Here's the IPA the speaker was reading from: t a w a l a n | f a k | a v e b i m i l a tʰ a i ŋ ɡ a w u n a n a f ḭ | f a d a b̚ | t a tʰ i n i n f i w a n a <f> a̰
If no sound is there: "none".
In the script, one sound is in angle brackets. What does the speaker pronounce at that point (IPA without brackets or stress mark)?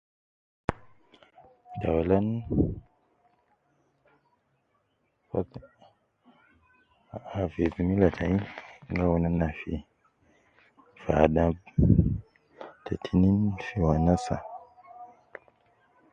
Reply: s